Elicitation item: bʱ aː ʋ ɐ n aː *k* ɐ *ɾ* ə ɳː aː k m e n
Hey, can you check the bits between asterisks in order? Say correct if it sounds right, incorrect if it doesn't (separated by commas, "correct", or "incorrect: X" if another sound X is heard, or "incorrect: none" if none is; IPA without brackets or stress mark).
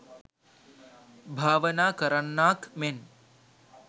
correct, correct